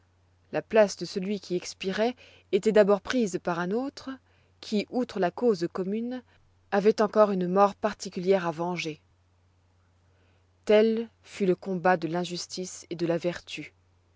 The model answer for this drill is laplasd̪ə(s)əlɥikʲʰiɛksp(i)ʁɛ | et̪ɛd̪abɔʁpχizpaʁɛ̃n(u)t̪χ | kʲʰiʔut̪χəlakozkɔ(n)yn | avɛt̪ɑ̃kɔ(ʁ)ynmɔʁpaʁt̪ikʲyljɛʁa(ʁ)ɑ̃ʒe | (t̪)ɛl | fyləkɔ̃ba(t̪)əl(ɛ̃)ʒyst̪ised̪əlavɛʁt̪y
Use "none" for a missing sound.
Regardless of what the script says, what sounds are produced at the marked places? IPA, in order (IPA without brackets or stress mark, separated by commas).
s, i, o, m, ʁ, v, t̪, d̪, ɛ̃